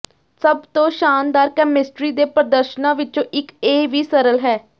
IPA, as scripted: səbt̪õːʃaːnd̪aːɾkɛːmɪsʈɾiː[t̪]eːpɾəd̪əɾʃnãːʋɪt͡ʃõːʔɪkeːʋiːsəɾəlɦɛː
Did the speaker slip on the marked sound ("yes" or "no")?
yes